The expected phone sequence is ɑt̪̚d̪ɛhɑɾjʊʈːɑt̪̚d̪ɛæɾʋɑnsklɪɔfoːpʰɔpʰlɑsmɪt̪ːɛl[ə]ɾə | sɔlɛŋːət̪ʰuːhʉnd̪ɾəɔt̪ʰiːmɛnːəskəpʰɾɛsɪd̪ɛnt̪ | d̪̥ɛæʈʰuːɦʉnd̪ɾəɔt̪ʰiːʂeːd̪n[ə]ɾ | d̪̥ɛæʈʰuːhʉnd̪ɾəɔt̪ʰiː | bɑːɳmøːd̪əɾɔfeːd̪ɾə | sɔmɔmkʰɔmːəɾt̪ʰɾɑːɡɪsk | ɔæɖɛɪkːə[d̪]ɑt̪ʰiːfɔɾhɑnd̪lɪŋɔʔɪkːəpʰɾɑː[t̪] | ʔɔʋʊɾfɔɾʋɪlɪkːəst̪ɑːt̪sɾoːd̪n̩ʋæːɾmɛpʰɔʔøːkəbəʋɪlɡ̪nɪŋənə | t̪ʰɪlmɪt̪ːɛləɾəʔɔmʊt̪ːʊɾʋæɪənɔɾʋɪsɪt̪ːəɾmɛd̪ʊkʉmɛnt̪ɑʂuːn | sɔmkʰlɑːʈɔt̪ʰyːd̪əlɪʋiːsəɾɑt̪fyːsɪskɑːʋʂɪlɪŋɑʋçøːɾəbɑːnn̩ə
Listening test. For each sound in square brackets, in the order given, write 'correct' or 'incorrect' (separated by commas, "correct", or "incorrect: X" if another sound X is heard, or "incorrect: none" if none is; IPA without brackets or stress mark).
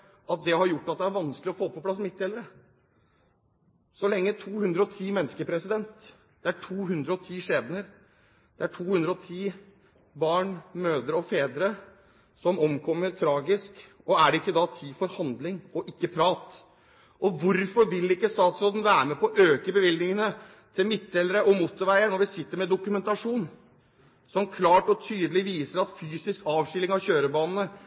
correct, correct, correct, correct